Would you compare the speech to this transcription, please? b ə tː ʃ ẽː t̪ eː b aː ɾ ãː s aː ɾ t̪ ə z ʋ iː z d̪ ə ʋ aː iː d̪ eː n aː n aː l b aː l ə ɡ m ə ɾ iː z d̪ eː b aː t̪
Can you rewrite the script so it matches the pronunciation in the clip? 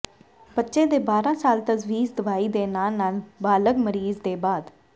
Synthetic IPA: b ə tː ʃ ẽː d̪ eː b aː ɾ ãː s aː l t̪ ə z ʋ iː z d̪ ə ʋ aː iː d̪ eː n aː n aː l b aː l ə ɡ m ə ɾ iː z d̪ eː b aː d̪